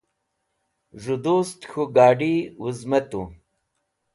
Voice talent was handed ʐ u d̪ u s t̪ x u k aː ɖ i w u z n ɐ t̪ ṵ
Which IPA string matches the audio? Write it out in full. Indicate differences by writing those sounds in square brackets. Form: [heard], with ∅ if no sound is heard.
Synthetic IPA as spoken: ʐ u d̪ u s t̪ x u [ɡ] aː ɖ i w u z [m] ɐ t̪ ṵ